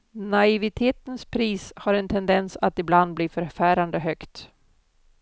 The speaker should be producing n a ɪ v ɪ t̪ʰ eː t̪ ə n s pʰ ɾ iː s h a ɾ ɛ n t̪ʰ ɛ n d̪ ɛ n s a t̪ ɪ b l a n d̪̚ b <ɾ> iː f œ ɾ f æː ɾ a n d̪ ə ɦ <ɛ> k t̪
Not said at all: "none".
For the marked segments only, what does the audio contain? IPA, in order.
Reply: l, œ

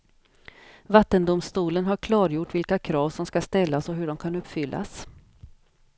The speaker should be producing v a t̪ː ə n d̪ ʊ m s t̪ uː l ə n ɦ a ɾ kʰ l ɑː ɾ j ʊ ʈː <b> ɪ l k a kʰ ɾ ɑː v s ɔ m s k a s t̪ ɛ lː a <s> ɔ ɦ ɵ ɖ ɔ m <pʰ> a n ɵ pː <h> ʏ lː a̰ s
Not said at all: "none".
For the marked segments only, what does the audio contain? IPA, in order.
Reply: v, s, kʰ, f

